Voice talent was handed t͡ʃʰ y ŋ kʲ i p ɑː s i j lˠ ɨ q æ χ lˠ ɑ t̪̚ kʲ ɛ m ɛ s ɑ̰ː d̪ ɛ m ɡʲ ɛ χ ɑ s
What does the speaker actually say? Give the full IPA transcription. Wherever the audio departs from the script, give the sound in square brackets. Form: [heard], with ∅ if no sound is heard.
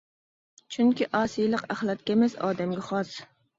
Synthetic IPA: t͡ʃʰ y ŋ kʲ i [ʔ] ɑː s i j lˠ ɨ q æ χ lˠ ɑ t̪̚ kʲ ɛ m ɛ s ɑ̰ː d̪ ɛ m ɡʲ ɛ χ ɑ s

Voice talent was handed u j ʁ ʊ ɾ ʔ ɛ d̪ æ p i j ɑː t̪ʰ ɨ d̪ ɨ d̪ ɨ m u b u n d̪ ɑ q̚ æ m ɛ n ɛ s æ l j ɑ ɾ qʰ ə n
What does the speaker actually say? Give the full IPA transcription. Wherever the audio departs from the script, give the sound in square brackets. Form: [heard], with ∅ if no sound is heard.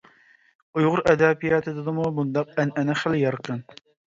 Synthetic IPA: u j ʁ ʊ ɾ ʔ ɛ d̪ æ p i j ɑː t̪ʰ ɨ d̪ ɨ d̪ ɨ m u b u n d̪ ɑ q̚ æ [n] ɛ n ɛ [χ] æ l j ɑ ɾ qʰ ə n

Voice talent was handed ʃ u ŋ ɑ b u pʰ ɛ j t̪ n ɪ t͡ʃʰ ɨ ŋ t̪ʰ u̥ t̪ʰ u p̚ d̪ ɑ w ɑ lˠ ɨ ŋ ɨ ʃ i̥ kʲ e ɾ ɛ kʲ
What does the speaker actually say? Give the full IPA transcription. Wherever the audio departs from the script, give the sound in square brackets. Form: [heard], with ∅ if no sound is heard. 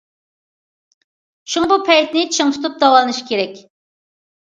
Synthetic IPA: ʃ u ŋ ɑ b u pʰ ɛ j t̪ n ɪ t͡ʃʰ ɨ ŋ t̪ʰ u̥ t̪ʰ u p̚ d̪ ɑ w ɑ lˠ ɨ [n] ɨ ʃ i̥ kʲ e ɾ ɛ kʲ

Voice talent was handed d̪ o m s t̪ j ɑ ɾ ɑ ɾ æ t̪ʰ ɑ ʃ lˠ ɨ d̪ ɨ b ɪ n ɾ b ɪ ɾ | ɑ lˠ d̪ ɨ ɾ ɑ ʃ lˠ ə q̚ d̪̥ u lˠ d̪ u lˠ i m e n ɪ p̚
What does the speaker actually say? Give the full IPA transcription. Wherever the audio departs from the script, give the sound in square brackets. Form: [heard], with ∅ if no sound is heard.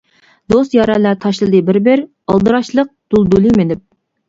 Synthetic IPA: d̪ o [∅] s t̪ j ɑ ɾ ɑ [l] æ t̪ʰ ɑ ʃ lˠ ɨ d̪ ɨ b ɪ [∅] ɾ b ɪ ɾ | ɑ lˠ d̪ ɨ ɾ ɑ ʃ lˠ ə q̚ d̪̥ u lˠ d̪ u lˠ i m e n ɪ p̚

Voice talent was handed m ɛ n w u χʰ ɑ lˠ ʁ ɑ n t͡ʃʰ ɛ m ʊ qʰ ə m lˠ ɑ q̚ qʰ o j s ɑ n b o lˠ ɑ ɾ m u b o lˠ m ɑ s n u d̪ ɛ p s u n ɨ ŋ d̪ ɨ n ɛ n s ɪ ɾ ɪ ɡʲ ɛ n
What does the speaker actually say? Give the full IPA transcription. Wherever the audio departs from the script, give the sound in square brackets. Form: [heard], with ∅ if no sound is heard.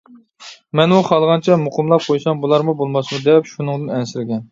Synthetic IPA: m ɛ n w u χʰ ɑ lˠ ʁ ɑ n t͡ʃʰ ɛ m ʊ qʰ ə m lˠ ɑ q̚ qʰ o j s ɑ [m] b [u] lˠ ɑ ɾ m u b o lˠ m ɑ s [m] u d̪ ɛ p [ʃ] u n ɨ ŋ d̪ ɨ n ɛ n s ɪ ɾ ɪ ɡʲ ɛ n

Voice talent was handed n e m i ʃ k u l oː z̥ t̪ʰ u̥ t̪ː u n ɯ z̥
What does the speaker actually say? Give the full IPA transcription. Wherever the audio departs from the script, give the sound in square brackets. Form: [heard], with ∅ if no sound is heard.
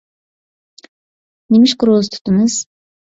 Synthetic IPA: n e m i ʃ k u [ɾ] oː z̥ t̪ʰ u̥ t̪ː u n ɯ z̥

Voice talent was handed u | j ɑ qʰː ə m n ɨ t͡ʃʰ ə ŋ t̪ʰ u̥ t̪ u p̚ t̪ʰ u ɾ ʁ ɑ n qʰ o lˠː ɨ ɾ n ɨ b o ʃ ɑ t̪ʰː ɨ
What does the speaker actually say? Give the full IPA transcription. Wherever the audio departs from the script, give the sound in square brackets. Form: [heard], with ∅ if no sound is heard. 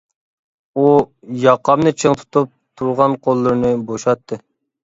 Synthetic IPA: u | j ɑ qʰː [ɑ] m n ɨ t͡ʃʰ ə ŋ t̪ʰ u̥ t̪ u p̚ t̪ʰ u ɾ ʁ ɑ n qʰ o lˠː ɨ ɾ n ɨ b o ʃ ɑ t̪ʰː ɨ

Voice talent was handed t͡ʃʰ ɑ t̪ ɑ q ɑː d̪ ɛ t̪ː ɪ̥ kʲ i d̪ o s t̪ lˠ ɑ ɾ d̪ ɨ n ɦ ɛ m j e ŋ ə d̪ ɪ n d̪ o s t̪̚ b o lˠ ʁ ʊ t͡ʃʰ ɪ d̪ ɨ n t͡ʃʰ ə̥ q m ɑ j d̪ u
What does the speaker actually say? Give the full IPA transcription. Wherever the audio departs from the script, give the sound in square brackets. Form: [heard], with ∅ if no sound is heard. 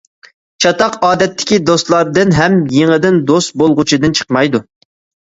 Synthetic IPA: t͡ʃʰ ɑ t̪ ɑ q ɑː d̪ ɛ t̪ː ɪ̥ kʲ i d̪ o s t̪ lˠ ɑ ɾ d̪ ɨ n ɦ ɛ m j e ŋ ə d̪ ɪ n d̪ o s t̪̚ b o lˠ ʁ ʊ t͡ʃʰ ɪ d̪ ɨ n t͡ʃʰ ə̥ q m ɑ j d̪ u

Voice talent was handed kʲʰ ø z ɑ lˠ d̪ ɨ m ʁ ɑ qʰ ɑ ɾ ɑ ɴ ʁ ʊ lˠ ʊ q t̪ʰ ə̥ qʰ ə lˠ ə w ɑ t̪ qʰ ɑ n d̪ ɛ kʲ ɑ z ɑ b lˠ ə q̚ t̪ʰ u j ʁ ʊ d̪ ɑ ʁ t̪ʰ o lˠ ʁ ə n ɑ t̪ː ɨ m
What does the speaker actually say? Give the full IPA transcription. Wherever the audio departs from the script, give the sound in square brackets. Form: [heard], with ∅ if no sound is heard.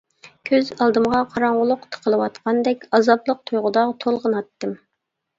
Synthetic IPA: kʲʰ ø z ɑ lˠ d̪ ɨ m ʁ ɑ qʰ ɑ ɾ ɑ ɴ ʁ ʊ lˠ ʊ q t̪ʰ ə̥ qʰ ə lˠ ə w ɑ t̪ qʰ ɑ n d̪ ɛ kʲ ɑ z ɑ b lˠ ə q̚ t̪ʰ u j ʁ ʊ d̪ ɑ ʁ t̪ʰ o lˠ ʁ ə n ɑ t̪ː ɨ m

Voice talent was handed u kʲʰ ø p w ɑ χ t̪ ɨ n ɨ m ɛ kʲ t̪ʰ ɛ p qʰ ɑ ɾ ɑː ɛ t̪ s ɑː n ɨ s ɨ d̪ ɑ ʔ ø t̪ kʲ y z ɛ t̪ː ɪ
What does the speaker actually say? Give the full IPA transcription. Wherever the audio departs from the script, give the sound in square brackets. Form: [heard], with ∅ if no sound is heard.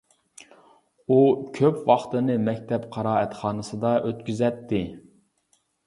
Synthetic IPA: u kʲʰ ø p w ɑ χ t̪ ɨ n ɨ m ɛ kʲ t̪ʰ ɛ p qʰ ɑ ɾ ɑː ɛ t̪ [χ] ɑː n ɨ s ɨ d̪ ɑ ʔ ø t̪ kʲ y z ɛ t̪ː ɪ

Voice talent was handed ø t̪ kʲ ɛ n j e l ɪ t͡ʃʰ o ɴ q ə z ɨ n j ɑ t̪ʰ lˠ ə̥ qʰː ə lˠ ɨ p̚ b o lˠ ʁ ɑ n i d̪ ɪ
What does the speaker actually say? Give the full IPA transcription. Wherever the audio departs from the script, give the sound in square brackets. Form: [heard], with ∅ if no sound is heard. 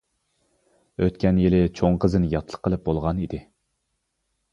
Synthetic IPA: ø t̪ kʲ ɛ n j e l ɪ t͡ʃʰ o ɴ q ə z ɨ n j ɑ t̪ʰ lˠ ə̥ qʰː ə lˠ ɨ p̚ b o lˠ ʁ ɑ n i d̪ ɪ

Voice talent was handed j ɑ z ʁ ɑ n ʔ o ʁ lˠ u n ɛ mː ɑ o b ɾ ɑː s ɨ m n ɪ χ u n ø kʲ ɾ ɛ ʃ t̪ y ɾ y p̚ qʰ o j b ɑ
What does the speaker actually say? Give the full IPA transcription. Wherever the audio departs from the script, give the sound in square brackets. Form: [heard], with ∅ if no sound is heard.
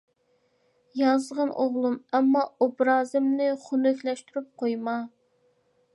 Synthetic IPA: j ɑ z ʁ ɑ n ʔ o ʁ lˠ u [m] ɛ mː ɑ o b ɾ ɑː [z] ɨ m n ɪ χ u n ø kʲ [l] ɛ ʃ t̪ y ɾ y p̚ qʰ o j [m] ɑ

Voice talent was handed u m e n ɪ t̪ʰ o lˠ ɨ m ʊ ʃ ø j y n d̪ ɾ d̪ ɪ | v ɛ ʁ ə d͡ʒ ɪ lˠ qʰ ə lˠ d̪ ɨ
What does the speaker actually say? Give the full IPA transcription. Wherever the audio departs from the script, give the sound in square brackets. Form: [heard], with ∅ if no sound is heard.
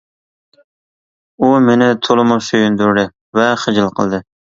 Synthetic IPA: u m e n ɪ t̪ʰ o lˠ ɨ m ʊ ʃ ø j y n d̪ ɾ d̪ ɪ | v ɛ [χ] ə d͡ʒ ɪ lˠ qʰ ə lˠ d̪ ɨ

